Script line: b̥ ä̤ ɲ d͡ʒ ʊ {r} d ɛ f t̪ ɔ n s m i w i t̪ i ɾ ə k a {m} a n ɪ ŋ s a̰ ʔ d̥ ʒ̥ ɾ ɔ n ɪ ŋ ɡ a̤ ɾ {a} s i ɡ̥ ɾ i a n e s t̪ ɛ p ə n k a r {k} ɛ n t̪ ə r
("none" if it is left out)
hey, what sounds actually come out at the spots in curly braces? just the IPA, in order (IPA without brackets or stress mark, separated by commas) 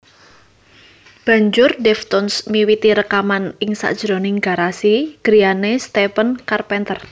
r, m, a, p